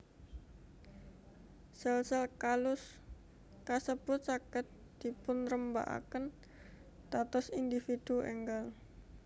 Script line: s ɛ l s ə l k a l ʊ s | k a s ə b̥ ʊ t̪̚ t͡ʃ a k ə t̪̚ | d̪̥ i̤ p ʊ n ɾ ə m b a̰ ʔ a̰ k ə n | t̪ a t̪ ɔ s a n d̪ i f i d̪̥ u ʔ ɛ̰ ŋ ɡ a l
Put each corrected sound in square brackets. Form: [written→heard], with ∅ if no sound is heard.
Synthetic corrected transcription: s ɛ l s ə l k a l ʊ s | k a s ə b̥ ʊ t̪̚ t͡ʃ a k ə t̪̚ | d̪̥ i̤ p ʊ n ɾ ə m b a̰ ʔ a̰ k ə n | t̪ a t̪ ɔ s [a→i] n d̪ i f i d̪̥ u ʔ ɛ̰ ŋ ɡ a l